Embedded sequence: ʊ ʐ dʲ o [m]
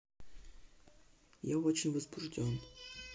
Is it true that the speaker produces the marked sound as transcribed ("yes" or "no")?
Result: no